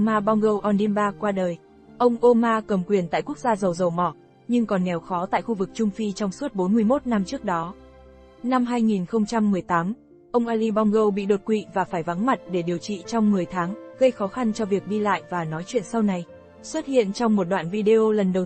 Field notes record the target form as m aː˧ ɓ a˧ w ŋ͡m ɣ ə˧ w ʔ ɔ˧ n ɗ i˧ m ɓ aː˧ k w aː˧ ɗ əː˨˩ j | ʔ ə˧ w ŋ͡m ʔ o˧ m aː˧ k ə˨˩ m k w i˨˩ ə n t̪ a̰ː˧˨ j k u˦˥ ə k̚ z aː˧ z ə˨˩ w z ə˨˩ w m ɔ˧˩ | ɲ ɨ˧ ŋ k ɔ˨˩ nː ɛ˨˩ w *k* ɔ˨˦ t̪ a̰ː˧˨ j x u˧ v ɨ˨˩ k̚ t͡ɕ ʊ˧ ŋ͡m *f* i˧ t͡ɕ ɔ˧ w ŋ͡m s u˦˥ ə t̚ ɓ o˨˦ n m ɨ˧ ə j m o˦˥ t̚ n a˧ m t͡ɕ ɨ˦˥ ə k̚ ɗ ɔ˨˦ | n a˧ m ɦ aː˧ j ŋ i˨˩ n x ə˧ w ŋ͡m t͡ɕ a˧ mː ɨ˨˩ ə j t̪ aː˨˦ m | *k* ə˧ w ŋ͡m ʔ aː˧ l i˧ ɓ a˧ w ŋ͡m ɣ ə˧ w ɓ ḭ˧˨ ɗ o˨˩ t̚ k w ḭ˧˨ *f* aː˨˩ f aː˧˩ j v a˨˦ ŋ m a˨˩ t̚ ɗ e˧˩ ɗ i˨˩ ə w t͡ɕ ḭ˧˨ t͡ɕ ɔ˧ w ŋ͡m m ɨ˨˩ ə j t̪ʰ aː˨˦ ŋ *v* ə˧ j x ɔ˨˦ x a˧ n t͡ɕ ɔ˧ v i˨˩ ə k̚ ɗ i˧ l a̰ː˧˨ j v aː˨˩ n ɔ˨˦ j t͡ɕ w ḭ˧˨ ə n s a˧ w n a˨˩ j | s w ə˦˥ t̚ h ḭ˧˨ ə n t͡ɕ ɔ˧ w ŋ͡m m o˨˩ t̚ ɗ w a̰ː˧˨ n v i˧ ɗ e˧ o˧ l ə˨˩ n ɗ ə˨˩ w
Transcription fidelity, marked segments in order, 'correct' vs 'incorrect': incorrect: x, correct, incorrect: ʔ, incorrect: v, incorrect: ɣ

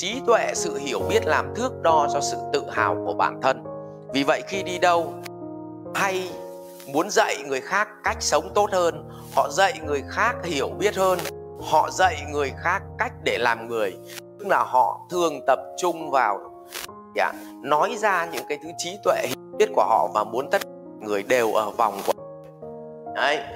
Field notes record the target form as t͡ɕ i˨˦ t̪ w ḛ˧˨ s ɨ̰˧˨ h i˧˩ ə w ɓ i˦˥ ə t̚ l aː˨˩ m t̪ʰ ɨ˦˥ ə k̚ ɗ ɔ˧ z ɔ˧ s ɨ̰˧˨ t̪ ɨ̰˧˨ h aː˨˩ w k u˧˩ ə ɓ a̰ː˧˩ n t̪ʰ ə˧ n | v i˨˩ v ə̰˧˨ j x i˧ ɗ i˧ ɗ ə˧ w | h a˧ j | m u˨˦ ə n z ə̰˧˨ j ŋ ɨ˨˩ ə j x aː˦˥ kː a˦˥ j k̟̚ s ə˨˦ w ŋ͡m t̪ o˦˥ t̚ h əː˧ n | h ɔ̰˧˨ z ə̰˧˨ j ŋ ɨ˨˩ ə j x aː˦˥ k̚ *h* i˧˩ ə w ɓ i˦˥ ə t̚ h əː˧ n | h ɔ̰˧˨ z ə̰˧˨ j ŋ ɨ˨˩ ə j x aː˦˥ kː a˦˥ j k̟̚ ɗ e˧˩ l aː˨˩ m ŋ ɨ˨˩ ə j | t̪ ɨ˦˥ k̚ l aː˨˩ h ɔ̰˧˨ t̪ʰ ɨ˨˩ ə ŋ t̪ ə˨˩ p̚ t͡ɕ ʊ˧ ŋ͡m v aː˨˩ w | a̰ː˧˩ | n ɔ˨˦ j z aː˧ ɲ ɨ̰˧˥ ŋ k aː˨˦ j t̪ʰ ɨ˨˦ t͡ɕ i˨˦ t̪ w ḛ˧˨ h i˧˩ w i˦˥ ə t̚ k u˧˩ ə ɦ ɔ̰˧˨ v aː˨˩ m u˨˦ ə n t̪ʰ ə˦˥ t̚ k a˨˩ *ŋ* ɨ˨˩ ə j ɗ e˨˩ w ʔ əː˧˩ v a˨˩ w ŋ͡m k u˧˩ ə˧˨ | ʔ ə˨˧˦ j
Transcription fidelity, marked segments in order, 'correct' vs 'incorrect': correct, correct

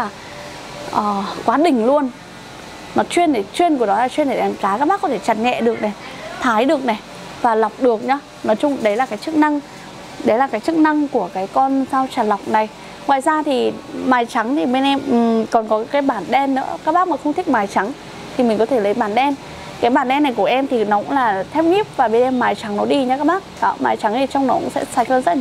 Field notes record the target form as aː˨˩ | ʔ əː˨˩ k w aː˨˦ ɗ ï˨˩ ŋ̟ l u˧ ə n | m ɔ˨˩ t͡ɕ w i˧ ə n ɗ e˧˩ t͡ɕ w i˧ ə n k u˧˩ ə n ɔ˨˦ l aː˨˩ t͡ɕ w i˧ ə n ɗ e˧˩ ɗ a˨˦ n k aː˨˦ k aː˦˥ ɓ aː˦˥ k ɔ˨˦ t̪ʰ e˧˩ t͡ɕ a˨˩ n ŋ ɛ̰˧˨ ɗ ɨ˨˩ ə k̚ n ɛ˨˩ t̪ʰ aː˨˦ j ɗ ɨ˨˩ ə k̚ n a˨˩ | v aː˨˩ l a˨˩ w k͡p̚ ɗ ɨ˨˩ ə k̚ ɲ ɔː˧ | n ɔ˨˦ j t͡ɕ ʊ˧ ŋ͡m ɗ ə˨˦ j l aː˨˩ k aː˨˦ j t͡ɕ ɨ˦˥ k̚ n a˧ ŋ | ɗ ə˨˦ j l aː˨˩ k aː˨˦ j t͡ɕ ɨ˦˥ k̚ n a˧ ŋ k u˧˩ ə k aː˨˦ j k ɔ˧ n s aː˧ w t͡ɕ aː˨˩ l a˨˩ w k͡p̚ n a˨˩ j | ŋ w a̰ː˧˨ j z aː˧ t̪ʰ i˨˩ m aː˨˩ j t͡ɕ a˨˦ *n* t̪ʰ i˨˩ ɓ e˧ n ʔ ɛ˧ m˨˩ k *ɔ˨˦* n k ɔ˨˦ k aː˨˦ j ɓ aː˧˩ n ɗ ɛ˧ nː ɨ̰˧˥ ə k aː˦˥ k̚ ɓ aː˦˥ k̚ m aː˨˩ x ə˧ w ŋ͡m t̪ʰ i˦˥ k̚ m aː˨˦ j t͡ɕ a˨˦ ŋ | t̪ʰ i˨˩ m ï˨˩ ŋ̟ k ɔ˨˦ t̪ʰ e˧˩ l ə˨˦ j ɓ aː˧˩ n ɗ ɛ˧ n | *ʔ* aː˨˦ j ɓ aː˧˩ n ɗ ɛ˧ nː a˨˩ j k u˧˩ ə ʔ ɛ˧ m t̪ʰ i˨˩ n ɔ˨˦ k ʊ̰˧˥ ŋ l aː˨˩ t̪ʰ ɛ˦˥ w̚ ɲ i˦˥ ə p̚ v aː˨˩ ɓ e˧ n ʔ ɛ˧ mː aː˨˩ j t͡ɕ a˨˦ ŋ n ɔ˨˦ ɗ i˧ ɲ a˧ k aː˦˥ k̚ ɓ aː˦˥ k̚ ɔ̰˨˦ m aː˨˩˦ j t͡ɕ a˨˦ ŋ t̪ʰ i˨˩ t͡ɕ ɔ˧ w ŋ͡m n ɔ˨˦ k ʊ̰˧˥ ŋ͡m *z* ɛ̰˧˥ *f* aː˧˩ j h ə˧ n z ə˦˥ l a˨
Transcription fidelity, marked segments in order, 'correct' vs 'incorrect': incorrect: ŋ, incorrect: ɔ˨˩, incorrect: k, incorrect: s, incorrect: s

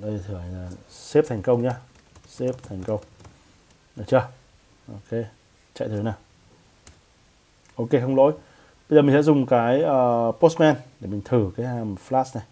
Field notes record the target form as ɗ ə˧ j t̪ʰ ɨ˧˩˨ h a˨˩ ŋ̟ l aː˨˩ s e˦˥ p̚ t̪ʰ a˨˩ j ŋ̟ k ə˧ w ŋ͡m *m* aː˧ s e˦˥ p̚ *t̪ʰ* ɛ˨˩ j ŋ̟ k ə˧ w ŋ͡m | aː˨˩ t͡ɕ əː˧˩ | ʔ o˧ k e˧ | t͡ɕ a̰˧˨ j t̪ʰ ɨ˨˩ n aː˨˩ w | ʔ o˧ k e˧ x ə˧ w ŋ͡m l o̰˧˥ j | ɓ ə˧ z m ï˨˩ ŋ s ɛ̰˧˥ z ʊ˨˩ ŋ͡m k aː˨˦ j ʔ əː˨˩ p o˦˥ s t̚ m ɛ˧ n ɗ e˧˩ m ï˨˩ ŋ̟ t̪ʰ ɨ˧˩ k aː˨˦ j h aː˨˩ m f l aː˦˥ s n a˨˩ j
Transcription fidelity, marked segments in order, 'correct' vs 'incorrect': incorrect: ɲ, correct

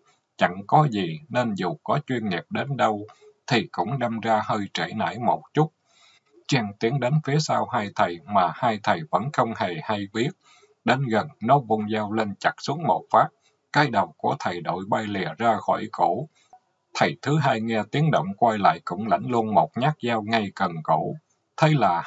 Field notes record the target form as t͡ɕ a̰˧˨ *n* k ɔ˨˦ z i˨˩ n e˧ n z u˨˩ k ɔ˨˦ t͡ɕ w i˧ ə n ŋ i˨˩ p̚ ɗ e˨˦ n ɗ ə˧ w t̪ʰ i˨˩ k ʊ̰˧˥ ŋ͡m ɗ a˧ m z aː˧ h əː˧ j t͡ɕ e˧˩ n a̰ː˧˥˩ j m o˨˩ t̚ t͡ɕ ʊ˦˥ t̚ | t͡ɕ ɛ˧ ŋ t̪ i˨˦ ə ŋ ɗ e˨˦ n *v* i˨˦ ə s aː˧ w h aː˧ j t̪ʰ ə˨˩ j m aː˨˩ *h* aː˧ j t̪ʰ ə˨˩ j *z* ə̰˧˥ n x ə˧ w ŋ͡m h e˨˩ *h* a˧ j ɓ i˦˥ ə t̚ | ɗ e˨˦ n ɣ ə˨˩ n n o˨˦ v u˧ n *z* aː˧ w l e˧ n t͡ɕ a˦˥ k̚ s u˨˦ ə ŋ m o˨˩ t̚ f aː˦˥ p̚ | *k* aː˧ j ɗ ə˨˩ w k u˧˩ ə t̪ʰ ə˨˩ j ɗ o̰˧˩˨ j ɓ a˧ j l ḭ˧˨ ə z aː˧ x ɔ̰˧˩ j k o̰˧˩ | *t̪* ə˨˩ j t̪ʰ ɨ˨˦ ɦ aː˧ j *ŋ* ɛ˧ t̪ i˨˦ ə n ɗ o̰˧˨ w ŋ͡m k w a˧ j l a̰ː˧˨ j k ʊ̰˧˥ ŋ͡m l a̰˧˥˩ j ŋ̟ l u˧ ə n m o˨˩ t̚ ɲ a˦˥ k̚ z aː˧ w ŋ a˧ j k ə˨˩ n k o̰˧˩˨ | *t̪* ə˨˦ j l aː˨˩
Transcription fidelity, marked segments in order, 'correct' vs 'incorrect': incorrect: ŋ, incorrect: f, correct, incorrect: v, correct, correct, correct, incorrect: t̪ʰ, correct, incorrect: t̪ʰ

